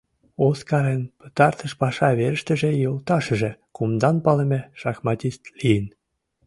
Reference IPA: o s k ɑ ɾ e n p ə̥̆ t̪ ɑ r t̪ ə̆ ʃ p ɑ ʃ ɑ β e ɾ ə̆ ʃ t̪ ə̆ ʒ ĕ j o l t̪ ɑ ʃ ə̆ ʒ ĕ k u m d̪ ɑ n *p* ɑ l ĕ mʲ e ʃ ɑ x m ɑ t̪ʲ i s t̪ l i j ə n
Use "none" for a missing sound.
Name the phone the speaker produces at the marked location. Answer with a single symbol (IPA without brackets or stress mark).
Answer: p